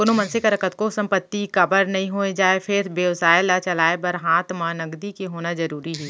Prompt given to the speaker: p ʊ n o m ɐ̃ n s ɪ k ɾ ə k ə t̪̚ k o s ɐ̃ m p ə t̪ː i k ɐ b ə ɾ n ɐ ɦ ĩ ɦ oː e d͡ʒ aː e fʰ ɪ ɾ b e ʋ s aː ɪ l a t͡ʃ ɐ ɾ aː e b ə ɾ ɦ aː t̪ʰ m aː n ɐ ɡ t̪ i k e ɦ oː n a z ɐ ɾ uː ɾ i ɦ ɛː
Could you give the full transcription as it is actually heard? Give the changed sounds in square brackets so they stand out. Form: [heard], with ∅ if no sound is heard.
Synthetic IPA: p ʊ n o m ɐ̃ n s ɪ k ɾ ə k ə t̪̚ k o s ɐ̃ m p ə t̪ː i k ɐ b ə ɾ n ɐ ɦ ĩ ɦ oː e d͡ʒ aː e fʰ ɪ ɾ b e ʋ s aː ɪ l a t͡ʃ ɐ [l] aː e b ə ɾ ɦ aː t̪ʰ m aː n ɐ ɡ [d̪] i k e ɦ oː n a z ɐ ɾ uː ɾ i ɦ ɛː